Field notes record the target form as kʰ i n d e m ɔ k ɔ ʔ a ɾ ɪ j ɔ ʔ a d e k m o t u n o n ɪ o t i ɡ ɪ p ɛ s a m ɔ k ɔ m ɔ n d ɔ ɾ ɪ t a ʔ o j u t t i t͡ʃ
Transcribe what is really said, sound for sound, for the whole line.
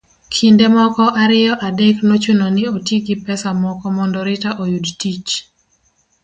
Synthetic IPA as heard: kʰ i n d e m ɔ k ɔ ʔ a ɾ ɪ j ɔ ʔ a d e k n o t͡ʃ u n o n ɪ o t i ɡ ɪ p ɛ s a m ɔ k ɔ m ɔ n d ɔ ɾ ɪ t a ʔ o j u d t i t͡ʃ